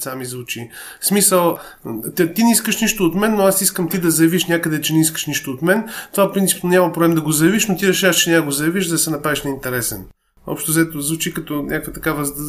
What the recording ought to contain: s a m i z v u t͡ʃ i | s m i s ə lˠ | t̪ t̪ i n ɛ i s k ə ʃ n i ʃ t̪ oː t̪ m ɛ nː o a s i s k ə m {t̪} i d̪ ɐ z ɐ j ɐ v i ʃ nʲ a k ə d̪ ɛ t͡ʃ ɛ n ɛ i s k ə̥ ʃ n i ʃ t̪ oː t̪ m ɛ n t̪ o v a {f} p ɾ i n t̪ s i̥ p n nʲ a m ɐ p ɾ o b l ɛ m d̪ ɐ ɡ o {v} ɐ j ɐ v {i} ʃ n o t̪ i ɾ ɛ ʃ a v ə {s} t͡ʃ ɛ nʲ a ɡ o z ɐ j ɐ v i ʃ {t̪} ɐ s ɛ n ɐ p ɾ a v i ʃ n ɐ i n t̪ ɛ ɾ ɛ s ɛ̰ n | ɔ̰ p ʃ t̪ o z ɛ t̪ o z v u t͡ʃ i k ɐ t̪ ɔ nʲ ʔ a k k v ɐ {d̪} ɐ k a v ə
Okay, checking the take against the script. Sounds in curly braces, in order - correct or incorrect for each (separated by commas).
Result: correct, correct, incorrect, correct, incorrect, incorrect, incorrect